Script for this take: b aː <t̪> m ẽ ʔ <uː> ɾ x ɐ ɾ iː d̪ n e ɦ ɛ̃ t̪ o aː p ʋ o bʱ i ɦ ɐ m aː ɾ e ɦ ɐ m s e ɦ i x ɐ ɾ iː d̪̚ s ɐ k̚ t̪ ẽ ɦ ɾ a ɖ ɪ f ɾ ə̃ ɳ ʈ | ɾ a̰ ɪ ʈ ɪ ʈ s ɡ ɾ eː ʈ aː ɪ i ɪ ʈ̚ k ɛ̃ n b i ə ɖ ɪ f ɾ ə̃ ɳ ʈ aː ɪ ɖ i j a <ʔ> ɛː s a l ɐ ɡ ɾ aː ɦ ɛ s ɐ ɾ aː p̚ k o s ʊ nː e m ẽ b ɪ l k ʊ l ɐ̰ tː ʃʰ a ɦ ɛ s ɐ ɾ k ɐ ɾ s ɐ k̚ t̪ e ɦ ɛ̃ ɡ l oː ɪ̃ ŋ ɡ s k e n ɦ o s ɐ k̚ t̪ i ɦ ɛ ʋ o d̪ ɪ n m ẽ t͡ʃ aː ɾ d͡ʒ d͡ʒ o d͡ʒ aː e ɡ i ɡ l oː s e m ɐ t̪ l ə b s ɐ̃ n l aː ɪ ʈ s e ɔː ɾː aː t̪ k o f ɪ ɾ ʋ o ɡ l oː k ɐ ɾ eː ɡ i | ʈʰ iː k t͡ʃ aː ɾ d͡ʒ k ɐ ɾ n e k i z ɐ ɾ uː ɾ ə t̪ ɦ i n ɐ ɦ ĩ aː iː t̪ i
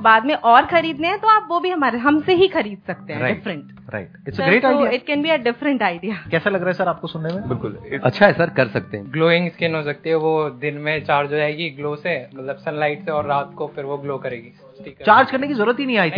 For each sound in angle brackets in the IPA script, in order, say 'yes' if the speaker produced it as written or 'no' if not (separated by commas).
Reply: no, no, no